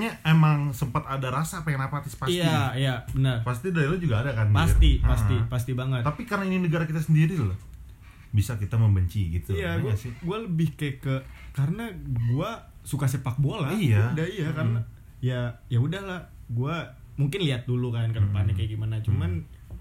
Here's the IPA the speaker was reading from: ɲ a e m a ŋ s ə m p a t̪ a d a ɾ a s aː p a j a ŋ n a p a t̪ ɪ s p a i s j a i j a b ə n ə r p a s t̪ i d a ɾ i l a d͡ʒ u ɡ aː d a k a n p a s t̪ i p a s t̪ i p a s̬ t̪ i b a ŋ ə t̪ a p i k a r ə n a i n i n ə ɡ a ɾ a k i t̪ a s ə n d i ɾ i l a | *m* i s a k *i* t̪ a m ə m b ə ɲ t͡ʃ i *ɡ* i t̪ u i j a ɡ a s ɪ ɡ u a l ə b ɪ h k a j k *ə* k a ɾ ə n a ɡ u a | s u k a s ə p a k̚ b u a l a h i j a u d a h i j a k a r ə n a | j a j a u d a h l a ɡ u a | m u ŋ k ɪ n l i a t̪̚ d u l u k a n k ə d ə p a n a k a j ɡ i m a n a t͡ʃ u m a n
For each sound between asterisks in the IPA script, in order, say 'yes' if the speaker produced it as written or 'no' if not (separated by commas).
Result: no, yes, yes, yes